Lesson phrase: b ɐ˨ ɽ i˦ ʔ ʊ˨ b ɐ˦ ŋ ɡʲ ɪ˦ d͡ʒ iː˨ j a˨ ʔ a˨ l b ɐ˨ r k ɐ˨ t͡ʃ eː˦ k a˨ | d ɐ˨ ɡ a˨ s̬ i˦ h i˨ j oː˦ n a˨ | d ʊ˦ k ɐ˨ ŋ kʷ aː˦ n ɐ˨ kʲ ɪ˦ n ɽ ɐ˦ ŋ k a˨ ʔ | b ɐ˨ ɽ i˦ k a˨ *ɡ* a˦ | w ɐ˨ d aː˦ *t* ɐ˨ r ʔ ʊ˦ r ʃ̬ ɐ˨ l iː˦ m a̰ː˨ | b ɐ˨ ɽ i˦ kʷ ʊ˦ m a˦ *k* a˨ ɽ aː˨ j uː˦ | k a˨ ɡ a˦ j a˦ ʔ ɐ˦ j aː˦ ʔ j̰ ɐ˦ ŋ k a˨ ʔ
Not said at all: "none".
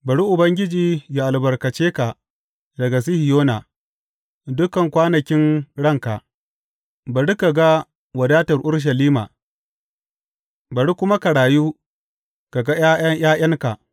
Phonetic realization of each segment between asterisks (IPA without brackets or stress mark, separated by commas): ɡ, t, k